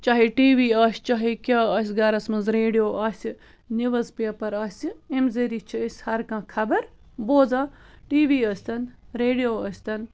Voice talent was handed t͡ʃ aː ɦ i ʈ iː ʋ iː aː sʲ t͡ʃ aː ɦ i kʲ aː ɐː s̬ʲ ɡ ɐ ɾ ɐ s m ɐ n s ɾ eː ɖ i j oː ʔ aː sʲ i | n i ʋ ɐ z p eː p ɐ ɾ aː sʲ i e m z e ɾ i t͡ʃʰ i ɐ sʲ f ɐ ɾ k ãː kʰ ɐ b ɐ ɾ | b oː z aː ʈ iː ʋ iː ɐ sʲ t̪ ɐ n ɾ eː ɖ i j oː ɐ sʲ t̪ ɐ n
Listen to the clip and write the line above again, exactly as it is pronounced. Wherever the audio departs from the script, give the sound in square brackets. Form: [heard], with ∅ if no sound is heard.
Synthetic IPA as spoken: t͡ʃ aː ɦ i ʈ iː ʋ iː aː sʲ t͡ʃ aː ɦ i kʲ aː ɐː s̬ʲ ɡ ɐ ɾ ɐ s m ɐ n [z] ɾ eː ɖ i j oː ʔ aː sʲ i | n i ʋ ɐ z p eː p ɐ ɾ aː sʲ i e m z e ɾ i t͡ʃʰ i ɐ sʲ [h] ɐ ɾ k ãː kʰ ɐ b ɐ ɾ | b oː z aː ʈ iː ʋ iː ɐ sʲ t̪ ɐ n ɾ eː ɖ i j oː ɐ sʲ t̪ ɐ n